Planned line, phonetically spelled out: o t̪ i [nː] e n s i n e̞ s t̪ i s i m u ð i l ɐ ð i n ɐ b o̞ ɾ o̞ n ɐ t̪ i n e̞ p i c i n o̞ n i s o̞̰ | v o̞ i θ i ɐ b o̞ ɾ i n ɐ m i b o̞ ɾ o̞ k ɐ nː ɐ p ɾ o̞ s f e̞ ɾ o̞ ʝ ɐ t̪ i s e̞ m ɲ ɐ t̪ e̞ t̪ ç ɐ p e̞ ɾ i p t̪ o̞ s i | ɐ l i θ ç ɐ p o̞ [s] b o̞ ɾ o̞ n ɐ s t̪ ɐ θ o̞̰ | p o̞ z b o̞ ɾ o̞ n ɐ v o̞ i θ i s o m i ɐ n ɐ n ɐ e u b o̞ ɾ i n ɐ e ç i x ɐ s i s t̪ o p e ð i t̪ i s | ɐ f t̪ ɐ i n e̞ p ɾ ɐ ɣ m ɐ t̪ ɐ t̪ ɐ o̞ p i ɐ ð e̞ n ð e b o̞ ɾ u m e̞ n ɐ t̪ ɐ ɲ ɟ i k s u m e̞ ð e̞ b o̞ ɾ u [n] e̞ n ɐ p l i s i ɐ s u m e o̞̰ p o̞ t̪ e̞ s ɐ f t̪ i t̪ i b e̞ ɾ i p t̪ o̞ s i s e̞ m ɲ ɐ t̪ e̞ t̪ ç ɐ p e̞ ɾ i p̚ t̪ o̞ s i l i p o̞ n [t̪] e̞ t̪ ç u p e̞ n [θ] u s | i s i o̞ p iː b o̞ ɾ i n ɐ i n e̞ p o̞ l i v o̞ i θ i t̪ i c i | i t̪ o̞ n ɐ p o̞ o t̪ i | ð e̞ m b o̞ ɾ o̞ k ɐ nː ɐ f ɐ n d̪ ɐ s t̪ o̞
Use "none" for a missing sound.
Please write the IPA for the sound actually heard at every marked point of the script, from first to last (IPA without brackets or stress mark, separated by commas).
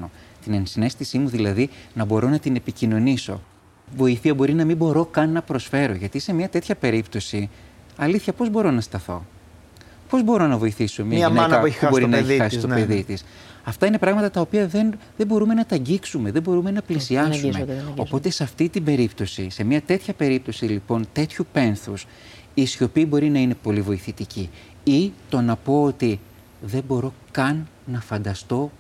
n, z, m, t̪, θ